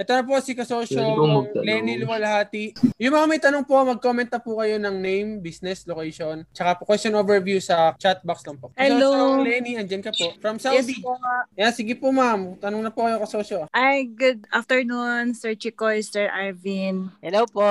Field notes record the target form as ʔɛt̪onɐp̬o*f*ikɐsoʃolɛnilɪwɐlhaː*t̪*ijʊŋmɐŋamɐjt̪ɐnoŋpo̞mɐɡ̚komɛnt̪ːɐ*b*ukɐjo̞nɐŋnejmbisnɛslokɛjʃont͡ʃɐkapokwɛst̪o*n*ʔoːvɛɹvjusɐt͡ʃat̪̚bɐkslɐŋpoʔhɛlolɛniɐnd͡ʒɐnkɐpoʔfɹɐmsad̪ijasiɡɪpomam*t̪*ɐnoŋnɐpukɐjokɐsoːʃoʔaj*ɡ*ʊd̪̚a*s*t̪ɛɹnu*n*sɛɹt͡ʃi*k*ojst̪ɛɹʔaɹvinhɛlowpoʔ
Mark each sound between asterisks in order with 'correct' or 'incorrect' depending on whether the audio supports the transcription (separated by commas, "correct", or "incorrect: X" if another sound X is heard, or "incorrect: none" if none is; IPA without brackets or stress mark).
incorrect: s, correct, incorrect: p, correct, correct, correct, incorrect: f, correct, correct